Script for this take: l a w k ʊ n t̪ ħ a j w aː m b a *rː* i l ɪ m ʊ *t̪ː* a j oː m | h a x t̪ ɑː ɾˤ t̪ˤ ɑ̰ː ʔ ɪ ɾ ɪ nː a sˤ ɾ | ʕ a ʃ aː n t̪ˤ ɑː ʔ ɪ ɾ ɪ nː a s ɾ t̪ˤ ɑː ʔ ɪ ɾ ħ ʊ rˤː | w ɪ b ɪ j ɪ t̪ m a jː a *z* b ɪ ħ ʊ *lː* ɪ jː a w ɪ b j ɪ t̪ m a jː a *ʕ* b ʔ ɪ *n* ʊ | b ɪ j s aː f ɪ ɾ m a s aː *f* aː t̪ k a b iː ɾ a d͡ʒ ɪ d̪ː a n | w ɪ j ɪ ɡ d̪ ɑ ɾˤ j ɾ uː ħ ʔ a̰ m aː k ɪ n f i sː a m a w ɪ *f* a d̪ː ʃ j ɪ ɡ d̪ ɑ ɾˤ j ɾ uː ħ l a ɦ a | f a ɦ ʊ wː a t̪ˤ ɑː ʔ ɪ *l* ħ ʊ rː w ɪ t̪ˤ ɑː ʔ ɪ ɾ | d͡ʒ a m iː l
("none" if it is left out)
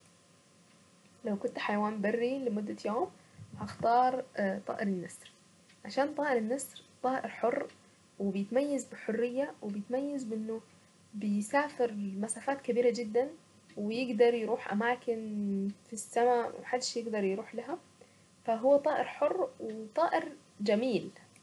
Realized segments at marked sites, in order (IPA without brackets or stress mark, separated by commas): rː, d̪ː, z, rː, z, nː, f, ħ, ɾ